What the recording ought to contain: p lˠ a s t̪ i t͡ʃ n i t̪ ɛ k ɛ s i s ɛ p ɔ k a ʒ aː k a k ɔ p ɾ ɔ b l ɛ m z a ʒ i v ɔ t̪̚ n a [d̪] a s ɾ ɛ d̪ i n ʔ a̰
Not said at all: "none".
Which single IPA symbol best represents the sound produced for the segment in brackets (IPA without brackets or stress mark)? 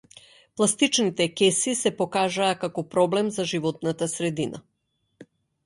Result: t̪